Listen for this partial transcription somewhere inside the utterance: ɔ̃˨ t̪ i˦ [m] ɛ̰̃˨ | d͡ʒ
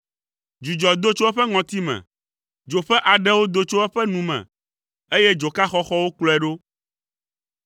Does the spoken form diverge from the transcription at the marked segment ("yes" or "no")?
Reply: no